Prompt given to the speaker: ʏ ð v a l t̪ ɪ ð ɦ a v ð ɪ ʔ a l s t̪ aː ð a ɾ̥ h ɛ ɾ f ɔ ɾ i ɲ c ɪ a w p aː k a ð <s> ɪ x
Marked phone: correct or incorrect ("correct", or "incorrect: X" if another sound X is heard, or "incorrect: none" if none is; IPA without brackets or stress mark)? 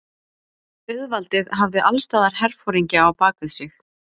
correct